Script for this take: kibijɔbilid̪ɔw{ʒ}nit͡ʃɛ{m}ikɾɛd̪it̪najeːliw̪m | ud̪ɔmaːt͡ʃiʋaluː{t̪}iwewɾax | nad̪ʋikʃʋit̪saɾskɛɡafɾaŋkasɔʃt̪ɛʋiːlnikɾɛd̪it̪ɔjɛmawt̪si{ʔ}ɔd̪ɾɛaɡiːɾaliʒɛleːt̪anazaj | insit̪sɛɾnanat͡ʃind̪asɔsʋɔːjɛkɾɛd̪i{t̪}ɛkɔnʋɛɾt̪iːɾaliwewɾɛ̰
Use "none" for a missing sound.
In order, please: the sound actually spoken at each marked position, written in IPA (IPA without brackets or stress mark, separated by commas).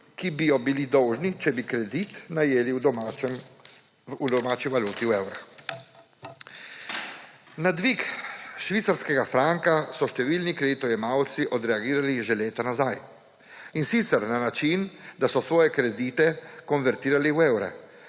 ʒ, b, t̪, ʔ, t̪